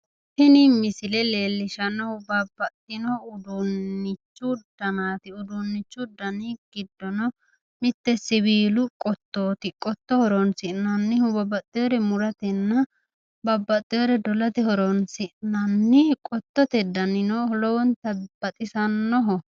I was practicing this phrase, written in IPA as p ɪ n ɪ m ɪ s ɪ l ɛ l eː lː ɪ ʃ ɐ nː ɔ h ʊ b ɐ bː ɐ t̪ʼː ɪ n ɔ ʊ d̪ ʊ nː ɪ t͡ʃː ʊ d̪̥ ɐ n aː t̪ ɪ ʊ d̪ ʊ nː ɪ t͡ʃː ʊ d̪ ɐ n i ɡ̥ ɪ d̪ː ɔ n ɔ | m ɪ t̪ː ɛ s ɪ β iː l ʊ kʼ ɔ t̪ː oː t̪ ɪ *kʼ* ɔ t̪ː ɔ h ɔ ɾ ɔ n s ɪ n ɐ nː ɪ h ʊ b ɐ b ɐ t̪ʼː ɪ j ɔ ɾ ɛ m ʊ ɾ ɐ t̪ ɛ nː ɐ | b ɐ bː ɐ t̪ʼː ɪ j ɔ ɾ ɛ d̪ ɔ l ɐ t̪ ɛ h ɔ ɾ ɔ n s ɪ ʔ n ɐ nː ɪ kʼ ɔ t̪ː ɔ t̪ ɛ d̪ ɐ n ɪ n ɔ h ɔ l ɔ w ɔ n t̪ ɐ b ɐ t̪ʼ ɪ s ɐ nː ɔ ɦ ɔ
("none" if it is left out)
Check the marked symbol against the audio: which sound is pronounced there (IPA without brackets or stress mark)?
kʼ